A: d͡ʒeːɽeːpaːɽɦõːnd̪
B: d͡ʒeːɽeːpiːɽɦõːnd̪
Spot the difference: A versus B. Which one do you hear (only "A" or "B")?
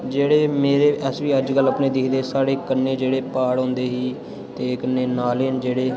A